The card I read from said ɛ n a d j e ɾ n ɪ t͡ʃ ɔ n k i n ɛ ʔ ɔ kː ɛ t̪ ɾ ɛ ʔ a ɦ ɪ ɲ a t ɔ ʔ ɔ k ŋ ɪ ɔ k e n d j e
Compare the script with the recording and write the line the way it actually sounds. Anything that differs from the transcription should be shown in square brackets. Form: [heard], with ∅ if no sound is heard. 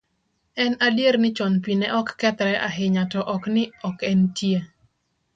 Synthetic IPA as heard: ɛ n a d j e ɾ n ɪ t͡ʃ ɔ n [p] i n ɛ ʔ ɔ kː ɛ t̪ ɾ ɛ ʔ a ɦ ɪ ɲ a t ɔ ʔ ɔ k [n] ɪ ɔ k [ɛ] n [t] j e